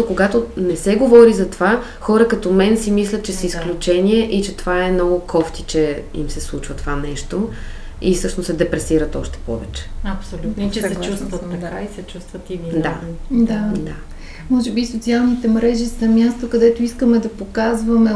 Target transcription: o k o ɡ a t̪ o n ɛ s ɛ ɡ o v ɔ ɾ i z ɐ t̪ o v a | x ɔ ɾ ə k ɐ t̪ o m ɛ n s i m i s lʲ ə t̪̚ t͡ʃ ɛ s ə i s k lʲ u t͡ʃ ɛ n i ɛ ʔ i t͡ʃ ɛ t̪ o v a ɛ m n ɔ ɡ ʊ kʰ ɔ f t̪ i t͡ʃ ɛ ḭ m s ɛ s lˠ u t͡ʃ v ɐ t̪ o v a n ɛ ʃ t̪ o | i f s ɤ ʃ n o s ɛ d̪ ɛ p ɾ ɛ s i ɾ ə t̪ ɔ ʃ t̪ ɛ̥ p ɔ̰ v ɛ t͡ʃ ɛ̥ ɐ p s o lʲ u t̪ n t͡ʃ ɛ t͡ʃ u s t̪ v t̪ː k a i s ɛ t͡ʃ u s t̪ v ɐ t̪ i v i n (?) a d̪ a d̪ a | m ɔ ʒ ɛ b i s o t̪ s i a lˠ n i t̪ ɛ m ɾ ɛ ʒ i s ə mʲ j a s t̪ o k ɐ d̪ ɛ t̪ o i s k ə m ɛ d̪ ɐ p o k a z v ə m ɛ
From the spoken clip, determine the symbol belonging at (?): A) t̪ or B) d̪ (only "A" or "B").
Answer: B